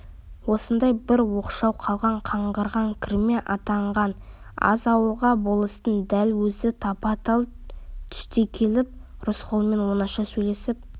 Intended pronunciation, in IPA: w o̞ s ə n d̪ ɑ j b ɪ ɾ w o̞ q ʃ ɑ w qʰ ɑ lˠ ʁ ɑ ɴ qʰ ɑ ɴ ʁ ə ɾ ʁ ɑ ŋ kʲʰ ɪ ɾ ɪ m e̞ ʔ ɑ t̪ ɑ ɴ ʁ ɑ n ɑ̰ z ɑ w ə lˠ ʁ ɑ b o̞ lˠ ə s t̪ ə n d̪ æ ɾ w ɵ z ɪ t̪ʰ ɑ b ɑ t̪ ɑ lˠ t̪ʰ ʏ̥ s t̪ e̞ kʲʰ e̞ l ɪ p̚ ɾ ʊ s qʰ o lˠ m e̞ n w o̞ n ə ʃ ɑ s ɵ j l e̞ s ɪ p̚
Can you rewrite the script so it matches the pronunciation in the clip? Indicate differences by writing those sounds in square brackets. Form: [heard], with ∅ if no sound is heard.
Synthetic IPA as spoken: w o̞ s ə n d̪ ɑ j b ɪ ɾ w o̞ q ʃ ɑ w qʰ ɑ lˠ ʁ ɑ ɴ qʰ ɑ ɴ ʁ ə ɾ ʁ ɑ ŋ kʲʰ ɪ ɾ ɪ m e̞ ʔ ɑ t̪ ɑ ɴ ʁ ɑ n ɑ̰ z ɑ w ə lˠ ʁ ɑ b o̞ lˠ ə s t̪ ə n d̪ æ [l] w ɵ z ɪ t̪ʰ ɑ [p] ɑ t̪ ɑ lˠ t̪ʰ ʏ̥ s t̪ e̞ kʲʰ e̞ l ɪ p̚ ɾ ʊ s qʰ o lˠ m e̞ n w o̞ n [ɑ] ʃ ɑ s ɵ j l e̞ s ɪ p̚